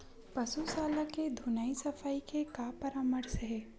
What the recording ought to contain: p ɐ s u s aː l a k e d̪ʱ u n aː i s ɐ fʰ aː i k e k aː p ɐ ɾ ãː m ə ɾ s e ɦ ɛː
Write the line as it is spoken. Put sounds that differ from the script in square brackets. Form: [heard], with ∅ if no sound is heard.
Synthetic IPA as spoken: p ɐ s u s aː l a k e d̪ʱ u n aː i s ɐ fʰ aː i k e k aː p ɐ ɾ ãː m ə ɾ s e ɦ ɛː